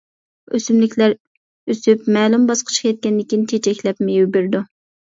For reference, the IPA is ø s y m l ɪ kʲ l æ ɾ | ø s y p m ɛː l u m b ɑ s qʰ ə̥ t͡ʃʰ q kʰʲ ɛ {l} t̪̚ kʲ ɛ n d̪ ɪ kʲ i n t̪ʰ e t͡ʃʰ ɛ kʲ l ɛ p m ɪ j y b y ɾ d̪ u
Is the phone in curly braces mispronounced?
yes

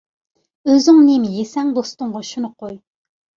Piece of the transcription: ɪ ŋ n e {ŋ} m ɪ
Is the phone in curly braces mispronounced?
yes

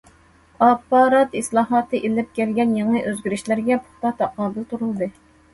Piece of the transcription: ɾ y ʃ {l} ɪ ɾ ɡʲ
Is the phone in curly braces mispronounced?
no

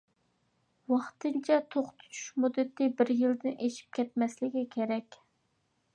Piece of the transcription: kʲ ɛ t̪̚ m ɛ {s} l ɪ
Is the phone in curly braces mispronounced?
no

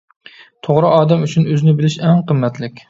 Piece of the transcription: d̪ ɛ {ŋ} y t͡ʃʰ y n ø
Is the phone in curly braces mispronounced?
yes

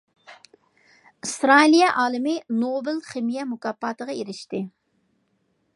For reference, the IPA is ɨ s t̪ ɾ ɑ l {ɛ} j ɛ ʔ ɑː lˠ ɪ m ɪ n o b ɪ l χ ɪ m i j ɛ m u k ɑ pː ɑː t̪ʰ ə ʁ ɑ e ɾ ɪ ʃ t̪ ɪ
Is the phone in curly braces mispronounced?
yes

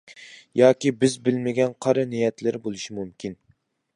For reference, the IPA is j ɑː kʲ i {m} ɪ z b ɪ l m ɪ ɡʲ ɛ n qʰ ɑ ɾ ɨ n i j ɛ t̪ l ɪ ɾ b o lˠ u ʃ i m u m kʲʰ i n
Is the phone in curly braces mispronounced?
yes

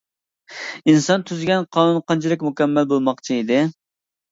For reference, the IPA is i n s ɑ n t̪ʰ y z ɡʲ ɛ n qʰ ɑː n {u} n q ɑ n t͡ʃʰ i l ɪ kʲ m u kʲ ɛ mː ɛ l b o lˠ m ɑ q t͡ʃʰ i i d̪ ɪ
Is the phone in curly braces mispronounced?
no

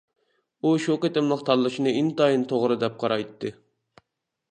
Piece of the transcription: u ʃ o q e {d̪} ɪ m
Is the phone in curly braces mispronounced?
yes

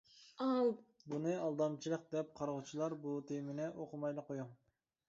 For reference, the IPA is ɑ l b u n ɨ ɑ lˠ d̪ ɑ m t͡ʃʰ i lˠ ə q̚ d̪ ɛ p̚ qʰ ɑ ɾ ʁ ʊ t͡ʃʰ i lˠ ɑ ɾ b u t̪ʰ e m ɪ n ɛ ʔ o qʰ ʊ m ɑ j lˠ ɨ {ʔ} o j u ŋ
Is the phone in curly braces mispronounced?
yes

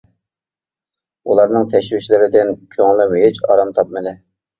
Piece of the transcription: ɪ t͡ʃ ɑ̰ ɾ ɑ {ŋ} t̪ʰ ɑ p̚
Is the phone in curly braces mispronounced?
yes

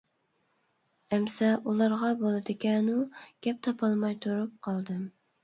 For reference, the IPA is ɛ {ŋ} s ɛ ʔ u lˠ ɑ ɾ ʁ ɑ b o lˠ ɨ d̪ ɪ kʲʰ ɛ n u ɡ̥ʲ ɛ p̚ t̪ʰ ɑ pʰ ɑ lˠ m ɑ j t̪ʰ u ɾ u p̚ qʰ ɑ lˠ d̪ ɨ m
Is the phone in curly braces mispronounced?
yes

